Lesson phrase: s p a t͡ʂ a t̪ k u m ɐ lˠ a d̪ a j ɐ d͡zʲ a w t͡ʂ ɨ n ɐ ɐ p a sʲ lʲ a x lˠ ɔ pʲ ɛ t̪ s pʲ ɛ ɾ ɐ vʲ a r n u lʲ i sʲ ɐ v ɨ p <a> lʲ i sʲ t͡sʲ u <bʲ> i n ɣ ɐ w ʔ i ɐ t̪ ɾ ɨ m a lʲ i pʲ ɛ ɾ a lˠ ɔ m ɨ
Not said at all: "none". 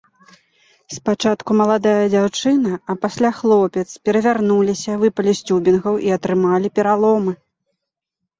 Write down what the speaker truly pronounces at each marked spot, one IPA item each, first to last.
ɐ, bʲ

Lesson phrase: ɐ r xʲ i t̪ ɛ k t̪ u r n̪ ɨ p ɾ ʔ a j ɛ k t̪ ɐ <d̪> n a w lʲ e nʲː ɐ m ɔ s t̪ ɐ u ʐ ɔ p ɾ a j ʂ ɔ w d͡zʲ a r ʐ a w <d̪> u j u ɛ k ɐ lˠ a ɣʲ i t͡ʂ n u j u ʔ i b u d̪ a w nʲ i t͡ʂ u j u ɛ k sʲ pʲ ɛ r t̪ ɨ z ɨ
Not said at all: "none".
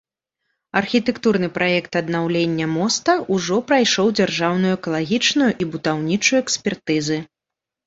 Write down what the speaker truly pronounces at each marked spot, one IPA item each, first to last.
d̪, n̪

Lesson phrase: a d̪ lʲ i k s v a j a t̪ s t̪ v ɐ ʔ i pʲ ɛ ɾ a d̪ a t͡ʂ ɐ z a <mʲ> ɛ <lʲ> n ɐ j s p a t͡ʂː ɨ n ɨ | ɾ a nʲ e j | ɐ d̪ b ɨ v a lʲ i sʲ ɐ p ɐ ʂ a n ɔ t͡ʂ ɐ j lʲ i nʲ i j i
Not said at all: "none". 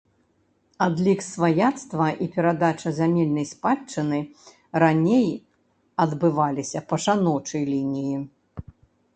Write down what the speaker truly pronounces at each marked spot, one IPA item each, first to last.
mʲ, lʲ

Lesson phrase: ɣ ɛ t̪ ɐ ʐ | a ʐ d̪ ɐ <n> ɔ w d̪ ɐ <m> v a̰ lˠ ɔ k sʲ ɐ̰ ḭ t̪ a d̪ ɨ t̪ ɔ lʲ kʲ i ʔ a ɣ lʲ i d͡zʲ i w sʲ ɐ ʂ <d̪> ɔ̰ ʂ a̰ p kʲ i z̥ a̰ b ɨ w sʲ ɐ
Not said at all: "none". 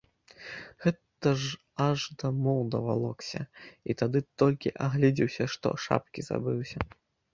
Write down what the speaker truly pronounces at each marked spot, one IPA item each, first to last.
m, none, t̪

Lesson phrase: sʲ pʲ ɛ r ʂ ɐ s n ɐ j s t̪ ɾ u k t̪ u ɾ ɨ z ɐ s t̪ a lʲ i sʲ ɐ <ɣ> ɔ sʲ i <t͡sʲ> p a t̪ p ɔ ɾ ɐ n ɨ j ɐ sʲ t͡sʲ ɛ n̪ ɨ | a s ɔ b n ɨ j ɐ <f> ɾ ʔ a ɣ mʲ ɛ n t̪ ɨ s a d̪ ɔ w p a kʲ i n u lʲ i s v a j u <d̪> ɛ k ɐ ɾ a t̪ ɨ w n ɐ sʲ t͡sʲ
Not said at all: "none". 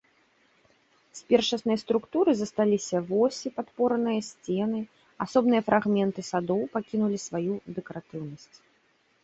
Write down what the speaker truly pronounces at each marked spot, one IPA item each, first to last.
v, none, f, d̪

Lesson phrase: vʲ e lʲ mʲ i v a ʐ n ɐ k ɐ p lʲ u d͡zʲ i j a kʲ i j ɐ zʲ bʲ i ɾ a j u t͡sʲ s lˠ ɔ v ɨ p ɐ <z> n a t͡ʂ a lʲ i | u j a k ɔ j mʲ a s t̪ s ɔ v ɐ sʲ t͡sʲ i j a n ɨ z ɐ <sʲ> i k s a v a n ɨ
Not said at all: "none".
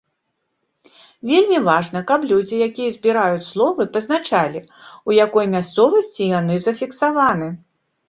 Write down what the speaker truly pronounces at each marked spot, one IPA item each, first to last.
z, fʲ

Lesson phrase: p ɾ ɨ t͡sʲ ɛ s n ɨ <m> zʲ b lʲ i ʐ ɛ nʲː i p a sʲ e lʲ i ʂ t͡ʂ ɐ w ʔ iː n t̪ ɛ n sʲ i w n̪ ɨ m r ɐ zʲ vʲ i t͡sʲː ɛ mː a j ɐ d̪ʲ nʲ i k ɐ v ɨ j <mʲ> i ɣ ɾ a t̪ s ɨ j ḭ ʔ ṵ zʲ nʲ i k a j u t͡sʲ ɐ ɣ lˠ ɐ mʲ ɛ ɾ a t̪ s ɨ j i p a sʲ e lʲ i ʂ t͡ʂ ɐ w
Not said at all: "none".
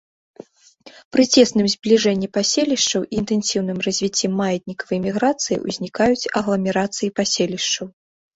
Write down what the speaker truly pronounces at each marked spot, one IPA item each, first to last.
m, mʲ

